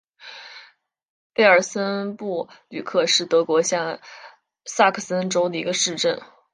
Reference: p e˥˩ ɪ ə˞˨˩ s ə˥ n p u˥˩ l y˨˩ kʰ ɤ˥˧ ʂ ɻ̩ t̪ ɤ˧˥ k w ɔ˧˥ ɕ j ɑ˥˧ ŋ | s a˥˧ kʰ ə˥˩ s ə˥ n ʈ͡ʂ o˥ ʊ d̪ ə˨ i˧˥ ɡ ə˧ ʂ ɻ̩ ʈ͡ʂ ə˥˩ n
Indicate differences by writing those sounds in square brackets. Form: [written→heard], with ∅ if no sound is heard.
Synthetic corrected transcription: p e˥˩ ɪ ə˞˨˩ s ə˥ n p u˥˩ l y˨˩ kʰ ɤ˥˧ ʂ ɻ̩ t̪ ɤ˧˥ k w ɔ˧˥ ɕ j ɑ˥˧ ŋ | s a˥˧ kʰ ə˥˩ s ə˥ n ʈ͡ʂ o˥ ʊ d̪ ə˨ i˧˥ ɡ ə˧ ʂ ɻ̩ ʈ͡ʂ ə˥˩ n